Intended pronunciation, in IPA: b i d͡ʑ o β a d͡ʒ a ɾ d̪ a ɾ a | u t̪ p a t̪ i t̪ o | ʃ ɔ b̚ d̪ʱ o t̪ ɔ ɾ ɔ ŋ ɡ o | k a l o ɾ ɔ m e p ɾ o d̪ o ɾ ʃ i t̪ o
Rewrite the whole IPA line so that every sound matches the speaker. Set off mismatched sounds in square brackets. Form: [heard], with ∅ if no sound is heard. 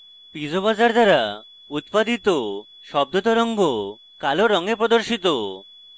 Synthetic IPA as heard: [p] i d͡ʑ o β a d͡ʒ a ɾ d̪ a ɾ a | u t̪ p a [d̪] i t̪ o | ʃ ɔ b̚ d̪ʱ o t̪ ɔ ɾ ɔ ŋ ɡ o | k a l o ɾ ɔ [ŋ] e p ɾ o d̪ o ɾ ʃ i t̪ o